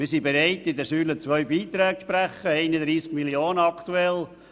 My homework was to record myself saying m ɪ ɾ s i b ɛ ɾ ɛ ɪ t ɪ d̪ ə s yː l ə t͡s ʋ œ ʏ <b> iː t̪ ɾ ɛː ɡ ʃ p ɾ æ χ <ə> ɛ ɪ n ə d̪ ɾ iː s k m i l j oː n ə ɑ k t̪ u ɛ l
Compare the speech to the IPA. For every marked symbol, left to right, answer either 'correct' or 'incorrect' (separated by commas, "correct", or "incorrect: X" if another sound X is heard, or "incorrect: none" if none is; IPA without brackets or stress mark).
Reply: correct, correct